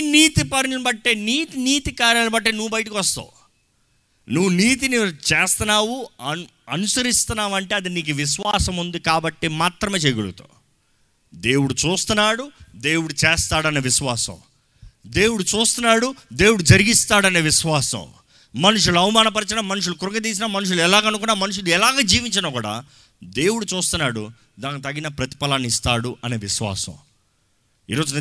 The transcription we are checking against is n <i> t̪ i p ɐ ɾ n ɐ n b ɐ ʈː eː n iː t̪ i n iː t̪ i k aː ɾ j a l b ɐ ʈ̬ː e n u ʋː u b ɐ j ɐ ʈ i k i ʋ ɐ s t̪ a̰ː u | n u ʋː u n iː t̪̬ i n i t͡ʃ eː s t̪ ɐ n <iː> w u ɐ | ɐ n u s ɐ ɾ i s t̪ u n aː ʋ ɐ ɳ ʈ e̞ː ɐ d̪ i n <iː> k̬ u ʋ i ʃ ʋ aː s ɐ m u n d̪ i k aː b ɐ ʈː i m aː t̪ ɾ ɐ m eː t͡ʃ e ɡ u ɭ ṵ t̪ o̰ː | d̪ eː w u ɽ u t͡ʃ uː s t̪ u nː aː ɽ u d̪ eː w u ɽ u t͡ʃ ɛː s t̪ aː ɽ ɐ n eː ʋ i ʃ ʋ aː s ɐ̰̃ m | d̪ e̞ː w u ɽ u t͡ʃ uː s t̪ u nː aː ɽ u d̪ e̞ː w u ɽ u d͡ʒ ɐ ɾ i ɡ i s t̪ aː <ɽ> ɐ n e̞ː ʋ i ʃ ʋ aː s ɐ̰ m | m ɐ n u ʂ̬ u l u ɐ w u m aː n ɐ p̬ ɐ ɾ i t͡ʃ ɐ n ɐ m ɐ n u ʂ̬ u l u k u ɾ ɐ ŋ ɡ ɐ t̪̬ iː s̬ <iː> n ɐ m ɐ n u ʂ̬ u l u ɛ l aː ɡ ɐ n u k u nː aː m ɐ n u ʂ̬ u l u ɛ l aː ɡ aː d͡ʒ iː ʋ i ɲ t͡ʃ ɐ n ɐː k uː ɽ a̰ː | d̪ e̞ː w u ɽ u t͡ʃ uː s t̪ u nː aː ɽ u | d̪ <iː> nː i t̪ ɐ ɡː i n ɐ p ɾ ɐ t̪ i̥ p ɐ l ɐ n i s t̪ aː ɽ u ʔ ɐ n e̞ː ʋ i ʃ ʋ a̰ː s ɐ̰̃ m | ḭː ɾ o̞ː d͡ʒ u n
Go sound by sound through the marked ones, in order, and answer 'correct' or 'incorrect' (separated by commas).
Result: incorrect, incorrect, correct, correct, incorrect, incorrect